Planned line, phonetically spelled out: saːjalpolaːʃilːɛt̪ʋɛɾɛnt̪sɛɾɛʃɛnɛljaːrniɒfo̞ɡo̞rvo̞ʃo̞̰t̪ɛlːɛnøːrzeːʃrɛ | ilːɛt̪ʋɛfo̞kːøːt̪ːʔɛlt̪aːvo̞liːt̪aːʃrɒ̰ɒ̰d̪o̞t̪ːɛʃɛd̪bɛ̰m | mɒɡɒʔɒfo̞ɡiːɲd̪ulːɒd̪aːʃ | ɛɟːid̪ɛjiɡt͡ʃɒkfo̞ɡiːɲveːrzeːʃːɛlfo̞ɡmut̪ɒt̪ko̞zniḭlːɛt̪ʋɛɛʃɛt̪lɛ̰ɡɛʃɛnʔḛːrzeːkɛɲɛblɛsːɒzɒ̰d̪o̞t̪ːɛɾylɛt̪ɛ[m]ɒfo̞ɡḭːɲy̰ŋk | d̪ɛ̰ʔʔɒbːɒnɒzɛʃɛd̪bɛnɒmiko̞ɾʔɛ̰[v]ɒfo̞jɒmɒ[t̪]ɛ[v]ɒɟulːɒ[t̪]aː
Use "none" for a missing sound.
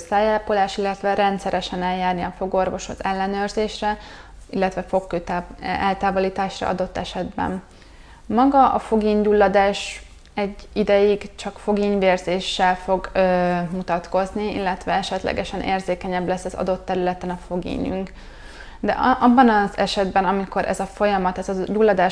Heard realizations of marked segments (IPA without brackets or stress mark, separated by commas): n, z, t̪, z, d̪